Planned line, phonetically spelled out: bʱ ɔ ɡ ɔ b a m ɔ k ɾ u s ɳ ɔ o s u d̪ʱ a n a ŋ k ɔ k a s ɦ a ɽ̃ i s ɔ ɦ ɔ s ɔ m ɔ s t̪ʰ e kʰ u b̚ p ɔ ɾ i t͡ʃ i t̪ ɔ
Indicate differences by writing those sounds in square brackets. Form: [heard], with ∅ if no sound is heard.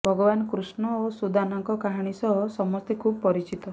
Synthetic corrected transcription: bʱ ɔ ɡ ɔ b a [n] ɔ k ɾ u s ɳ ɔ o s u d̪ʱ a n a ŋ k ɔ k a [∅] ɦ a ɽ̃ i s ɔ ɦ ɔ s ɔ m ɔ s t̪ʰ e kʰ u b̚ p ɔ ɾ i t͡ʃ i t̪ ɔ